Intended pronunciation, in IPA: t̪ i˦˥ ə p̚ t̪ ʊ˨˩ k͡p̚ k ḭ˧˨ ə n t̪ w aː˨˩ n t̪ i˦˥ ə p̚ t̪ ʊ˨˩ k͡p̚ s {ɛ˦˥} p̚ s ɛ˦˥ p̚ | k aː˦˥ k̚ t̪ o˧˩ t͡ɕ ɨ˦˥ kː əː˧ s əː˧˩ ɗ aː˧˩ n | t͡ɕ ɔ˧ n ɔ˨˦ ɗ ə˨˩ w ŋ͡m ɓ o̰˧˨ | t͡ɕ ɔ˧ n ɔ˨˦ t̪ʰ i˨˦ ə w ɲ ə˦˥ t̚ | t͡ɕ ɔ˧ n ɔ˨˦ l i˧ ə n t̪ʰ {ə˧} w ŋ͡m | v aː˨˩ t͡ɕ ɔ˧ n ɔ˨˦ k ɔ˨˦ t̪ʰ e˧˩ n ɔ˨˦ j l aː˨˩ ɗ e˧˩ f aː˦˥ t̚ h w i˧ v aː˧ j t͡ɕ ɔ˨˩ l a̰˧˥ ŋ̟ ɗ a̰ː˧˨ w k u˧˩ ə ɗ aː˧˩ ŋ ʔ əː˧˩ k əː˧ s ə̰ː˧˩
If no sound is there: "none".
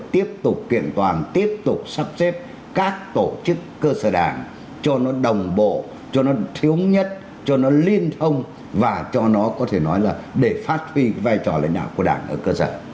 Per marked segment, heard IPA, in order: a˦˥, ə˧

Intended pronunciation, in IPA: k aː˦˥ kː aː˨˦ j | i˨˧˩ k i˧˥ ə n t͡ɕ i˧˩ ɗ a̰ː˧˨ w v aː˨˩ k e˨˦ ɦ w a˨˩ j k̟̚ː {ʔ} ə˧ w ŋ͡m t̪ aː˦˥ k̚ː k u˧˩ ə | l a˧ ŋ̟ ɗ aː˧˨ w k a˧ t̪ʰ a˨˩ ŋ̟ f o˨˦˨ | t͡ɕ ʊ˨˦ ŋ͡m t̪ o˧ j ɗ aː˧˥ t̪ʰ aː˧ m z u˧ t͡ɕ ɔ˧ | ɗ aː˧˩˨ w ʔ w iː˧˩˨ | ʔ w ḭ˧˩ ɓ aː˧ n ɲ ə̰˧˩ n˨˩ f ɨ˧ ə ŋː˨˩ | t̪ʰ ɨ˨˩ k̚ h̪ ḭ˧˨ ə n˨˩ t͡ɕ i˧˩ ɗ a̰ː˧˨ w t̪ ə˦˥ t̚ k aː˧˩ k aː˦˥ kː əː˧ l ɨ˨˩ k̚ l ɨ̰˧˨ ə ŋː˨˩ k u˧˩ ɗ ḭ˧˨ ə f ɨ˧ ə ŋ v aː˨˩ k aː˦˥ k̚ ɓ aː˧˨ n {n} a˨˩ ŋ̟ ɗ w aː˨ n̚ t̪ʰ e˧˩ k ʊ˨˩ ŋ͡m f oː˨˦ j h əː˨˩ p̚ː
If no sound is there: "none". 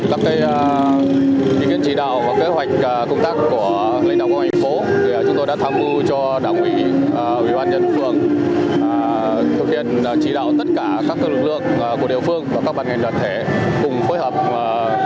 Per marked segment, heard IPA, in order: k, ŋ

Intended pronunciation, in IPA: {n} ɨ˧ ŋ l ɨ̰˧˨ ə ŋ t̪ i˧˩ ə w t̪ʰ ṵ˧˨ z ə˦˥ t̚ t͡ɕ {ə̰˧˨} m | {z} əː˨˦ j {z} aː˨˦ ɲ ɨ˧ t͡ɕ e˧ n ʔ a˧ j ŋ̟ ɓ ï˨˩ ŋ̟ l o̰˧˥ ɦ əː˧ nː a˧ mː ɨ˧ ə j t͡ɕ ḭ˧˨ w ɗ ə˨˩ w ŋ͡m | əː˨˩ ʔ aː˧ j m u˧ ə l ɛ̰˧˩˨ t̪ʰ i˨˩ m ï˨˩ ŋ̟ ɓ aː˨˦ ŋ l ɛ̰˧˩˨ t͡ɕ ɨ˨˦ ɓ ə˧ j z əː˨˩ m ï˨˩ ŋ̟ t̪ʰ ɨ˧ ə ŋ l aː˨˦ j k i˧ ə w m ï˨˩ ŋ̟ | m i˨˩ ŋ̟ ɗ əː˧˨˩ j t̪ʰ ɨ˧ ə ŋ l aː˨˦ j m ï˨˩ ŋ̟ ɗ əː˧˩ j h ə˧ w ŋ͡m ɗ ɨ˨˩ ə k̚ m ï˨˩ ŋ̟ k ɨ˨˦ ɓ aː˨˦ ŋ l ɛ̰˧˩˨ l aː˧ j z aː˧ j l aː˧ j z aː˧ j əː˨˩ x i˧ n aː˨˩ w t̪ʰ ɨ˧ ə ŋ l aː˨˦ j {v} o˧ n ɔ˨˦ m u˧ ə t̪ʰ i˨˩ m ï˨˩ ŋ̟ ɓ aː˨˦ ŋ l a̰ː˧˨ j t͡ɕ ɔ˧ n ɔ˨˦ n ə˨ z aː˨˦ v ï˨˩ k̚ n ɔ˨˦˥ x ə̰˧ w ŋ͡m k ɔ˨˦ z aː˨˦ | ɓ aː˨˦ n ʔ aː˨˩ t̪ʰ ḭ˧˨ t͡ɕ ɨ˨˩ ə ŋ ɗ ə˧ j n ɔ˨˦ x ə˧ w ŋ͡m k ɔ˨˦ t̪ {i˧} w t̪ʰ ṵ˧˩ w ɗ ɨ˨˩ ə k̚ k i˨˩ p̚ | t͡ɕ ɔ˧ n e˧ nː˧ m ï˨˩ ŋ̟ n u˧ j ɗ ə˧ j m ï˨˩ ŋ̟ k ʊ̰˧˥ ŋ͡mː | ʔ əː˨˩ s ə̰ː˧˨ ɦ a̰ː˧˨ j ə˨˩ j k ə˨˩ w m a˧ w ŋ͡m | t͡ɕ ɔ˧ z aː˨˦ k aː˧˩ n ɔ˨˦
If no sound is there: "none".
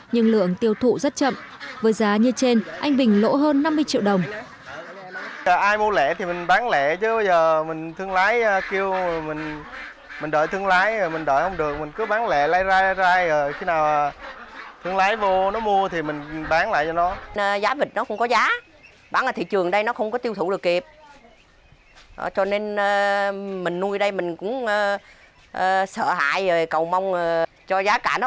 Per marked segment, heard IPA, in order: ɲ, ə̰˧˨, v, z, v, i˧

